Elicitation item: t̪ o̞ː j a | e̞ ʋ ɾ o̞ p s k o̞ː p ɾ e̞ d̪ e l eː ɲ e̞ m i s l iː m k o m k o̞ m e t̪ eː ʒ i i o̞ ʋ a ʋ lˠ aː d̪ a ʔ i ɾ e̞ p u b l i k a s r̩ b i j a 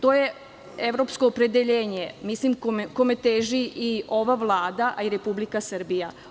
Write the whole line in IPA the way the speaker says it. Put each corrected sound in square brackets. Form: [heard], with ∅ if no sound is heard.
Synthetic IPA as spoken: t̪ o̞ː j [e] | e̞ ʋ ɾ o̞ p s k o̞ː p ɾ e̞ d̪ e [ʎ] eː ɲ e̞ m i s l [i] m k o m k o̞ m e t̪ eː ʒ i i o̞ ʋ a ʋ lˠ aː d̪ a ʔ i ɾ e̞ p u b l i k a s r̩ b i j a